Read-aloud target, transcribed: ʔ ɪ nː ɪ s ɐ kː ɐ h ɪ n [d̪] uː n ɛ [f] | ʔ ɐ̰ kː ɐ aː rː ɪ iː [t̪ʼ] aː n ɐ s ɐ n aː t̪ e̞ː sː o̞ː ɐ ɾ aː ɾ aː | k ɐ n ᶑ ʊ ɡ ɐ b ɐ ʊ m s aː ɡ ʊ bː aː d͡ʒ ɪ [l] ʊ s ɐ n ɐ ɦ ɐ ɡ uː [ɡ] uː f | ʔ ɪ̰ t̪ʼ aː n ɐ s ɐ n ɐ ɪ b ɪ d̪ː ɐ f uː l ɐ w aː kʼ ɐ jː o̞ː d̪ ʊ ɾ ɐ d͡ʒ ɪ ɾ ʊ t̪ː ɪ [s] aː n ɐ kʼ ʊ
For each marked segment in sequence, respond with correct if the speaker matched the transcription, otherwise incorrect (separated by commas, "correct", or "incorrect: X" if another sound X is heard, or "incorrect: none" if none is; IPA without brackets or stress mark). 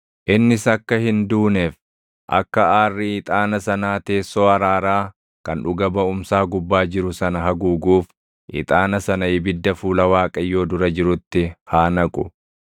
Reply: correct, correct, correct, incorrect: ɾ, correct, incorrect: h